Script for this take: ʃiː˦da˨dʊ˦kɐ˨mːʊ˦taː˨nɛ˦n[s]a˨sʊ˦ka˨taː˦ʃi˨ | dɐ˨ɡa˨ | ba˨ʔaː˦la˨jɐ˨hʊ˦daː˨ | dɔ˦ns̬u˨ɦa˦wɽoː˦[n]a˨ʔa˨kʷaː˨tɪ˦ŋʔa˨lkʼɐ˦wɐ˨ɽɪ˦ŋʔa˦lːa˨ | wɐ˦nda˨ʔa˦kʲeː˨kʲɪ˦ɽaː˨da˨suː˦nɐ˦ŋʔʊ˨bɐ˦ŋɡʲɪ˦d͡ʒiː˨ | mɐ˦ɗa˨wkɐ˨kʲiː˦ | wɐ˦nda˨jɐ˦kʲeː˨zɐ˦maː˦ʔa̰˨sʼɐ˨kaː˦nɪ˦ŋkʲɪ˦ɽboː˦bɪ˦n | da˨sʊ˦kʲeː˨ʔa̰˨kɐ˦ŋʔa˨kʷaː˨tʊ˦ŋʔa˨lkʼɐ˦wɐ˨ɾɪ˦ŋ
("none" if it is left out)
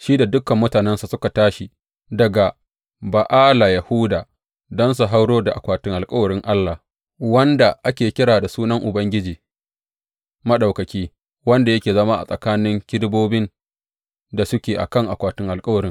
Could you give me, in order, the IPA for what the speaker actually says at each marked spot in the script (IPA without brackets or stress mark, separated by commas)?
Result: s, d